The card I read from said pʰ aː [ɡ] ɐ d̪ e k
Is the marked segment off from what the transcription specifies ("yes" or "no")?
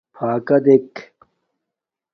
yes